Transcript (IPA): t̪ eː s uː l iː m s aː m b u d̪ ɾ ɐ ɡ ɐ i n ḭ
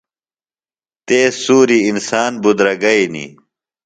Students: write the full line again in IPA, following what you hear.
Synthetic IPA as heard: t̪ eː s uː ɾ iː n s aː n b u d̪ ɾ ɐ ɡ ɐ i n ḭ